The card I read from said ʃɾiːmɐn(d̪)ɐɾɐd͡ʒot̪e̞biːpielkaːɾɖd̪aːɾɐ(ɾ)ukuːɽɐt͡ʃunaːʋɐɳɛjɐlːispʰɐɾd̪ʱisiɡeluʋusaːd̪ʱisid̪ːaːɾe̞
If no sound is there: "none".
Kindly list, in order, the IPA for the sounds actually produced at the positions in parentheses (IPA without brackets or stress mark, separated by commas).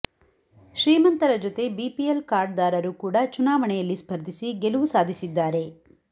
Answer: t̪, ɾ